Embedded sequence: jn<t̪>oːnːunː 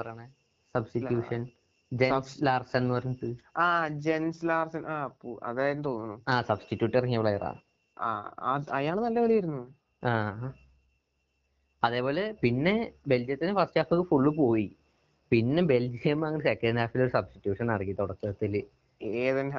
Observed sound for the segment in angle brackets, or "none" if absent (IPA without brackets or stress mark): t̪